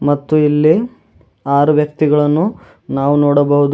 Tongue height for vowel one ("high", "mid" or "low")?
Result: low